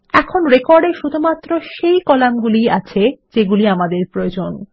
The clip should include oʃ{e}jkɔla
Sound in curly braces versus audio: correct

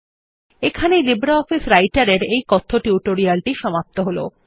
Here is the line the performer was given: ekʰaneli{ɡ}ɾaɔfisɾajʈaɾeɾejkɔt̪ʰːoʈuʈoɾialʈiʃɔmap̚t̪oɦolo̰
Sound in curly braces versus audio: incorrect: b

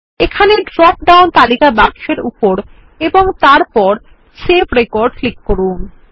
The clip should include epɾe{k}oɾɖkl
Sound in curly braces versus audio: correct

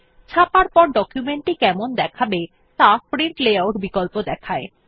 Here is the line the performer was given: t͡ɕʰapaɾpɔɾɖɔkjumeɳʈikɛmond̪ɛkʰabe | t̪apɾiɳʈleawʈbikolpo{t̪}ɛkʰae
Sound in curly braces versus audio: incorrect: d̪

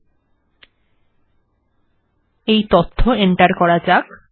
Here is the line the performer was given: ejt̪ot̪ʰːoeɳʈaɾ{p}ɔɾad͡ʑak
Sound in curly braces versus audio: incorrect: k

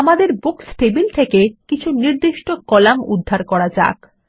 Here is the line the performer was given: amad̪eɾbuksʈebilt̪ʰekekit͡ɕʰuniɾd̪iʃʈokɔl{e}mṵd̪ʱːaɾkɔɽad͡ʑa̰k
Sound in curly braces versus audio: incorrect: a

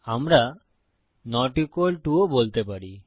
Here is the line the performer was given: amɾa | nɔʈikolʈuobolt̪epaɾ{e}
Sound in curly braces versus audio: incorrect: i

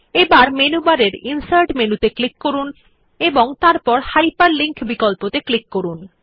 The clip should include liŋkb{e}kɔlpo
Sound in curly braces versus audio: incorrect: i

